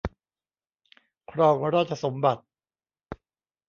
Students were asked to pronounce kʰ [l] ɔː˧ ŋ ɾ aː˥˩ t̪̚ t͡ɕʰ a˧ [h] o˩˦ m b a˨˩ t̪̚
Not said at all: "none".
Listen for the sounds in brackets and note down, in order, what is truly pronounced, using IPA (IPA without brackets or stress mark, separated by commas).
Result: ɾ, s